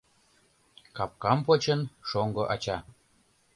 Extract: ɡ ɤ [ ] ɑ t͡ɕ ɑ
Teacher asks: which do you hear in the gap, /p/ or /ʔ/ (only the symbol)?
ʔ